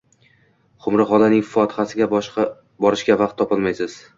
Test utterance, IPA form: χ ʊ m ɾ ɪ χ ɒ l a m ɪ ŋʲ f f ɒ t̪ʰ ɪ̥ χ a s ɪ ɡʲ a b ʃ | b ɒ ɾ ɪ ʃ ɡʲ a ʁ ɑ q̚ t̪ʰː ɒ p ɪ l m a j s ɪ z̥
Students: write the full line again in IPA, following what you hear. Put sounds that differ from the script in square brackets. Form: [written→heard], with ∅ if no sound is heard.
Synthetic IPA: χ ʊ m ɾ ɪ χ ɒ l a [m→n] ɪ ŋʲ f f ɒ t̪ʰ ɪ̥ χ a s ɪ ɡʲ a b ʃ | b ɒ ɾ ɪ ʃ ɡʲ a [ʁ→v] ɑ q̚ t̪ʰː ɒ p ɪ l m a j s ɪ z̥